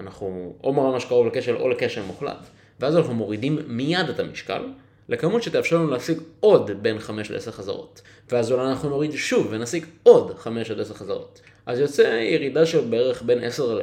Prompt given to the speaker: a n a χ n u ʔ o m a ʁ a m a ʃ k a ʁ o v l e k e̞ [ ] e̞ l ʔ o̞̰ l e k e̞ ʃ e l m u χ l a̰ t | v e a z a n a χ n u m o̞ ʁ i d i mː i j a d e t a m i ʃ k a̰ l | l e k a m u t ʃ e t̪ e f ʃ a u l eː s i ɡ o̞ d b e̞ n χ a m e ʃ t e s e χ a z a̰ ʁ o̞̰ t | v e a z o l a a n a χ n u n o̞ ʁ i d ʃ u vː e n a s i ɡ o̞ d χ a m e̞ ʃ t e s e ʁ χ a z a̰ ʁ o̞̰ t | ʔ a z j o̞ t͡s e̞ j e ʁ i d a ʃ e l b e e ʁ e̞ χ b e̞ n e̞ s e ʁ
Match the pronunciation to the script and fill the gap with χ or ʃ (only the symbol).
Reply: ʃ